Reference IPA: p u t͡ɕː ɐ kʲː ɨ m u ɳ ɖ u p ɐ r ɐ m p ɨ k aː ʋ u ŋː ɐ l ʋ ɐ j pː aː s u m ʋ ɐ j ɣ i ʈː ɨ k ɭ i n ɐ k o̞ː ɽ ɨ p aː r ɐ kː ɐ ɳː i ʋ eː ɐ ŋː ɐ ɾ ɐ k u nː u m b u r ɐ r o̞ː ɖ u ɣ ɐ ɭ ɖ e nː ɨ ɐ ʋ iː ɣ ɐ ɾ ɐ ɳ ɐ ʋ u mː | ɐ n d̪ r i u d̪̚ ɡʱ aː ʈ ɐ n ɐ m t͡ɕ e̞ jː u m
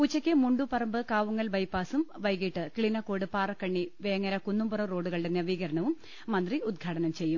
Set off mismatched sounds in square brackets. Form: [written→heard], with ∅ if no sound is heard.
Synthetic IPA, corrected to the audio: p u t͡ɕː ɐ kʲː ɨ m u ɳ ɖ u p ɐ r ɐ m [p→b] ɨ k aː ʋ u ŋː ɐ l ʋ ɐ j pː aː s u m ʋ ɐ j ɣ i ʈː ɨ k ɭ i n ɐ k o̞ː ɽ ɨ p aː r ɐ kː ɐ ɳː i ʋ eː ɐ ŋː ɐ ɾ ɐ k u nː u m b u r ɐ r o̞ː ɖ u ɣ ɐ ɭ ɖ e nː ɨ ɐ ʋ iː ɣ ɐ ɾ ɐ ɳ ɐ ʋ u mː | ɐ n d̪ r i u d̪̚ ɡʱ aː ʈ ɐ n ɐ m t͡ɕ e̞ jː u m

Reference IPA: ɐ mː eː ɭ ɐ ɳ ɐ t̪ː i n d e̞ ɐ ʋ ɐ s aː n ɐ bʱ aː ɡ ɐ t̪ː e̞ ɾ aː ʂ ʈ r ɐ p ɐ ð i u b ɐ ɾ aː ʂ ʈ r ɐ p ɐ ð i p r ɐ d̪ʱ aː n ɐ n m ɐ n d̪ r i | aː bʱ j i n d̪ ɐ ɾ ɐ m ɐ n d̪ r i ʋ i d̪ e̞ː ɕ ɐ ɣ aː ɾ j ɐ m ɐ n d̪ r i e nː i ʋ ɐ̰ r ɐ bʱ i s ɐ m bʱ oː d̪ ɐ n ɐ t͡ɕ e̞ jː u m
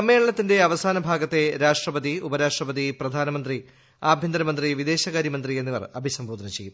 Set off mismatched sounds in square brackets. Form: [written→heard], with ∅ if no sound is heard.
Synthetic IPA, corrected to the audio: ɐ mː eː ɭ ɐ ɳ ɐ t̪ː i n d e̞ ɐ ʋ ɐ s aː n ɐ bʱ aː ɡ ɐ t̪ː e̞ ɾ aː ʂ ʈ r ɐ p ɐ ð i u b ɐ ɾ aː ʂ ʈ r ɐ p ɐ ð i p r ɐ d̪ʱ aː n ɐ [n→∅] m ɐ n d̪ r i | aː bʱ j i n d̪ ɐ ɾ ɐ m ɐ n d̪ r i ʋ i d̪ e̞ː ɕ ɐ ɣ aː ɾ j ɐ m ɐ n d̪ r i e nː i ʋ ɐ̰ r ɐ bʱ i s ɐ m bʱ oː d̪ ɐ n ɐ t͡ɕ e̞ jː u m

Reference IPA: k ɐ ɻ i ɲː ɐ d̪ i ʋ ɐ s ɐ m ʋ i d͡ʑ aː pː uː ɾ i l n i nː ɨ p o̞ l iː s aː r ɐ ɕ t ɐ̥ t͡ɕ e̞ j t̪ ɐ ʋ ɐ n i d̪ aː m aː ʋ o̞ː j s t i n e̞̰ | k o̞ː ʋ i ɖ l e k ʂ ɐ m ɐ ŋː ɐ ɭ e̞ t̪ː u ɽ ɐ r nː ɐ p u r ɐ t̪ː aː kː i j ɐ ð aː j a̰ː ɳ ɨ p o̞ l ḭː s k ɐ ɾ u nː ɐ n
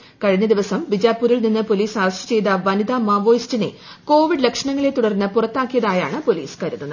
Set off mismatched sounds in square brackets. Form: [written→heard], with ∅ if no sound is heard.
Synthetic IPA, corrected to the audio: k ɐ ɻ i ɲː ɐ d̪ i ʋ ɐ s ɐ m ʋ i d͡ʑ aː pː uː ɾ i l n i nː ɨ p o̞ l iː s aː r ɐ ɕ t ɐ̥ t͡ɕ e̞ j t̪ ɐ ʋ ɐ n i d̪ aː m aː ʋ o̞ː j s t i n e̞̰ | k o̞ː ʋ i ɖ l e k ʂ ɐ [m→ɳ] ɐ ŋː ɐ ɭ e̞ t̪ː u ɽ ɐ r nː ɐ p u r ɐ t̪ː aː kː i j ɐ ð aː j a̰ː ɳ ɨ p o̞ l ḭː s k ɐ ɾ u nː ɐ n

